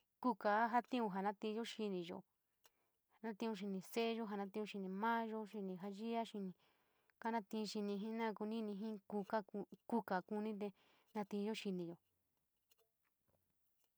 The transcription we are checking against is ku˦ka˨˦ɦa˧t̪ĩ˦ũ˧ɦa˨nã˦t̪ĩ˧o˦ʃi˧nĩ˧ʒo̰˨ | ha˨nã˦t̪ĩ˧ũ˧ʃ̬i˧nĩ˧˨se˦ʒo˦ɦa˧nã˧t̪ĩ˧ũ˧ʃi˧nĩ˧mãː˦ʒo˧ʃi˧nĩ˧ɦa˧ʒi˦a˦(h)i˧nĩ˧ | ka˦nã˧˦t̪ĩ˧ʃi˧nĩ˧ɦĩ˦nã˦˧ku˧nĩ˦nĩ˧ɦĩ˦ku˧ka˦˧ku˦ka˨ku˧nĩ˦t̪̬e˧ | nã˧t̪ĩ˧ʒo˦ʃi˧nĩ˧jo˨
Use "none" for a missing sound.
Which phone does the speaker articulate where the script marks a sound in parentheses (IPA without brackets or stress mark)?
ʃ